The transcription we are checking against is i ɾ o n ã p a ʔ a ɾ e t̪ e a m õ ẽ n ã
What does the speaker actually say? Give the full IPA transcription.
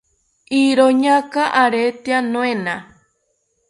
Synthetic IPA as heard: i ɾ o ɲ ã k a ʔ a ɾ e t̪ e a n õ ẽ n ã